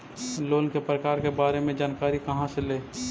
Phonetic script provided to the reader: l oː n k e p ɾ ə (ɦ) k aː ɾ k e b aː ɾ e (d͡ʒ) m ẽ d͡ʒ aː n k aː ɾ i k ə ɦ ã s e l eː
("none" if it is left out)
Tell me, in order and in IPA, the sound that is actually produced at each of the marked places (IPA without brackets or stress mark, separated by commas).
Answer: none, none